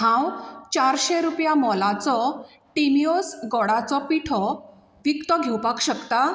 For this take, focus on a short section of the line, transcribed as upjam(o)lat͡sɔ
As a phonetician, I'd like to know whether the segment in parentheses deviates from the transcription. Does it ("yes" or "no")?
yes